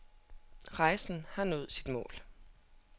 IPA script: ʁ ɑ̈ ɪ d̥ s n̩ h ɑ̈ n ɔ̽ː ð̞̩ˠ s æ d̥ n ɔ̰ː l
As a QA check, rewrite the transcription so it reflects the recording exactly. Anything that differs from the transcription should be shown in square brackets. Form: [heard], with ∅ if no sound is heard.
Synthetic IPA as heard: ʁ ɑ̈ ɪ [∅] s n̩ h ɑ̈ n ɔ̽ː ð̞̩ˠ s [i] d̥ [m] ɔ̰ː l